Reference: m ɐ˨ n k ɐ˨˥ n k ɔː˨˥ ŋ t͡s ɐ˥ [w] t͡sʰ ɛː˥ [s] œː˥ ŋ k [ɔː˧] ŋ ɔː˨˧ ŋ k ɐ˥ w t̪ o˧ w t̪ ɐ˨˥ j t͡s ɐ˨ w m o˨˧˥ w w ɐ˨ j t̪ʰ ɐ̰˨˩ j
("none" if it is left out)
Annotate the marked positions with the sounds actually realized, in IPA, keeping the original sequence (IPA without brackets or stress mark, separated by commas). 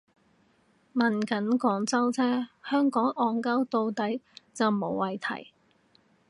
w, h, ɔː˨˥